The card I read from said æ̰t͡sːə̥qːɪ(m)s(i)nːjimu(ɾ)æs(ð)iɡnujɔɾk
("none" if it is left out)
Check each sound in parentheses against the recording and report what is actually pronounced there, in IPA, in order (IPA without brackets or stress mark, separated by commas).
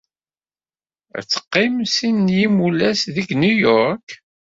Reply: m, i, l, ð